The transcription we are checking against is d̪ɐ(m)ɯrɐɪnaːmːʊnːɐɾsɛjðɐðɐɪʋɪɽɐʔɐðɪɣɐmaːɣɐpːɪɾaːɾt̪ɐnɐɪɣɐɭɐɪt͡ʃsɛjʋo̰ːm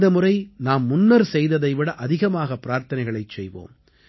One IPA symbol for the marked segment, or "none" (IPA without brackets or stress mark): m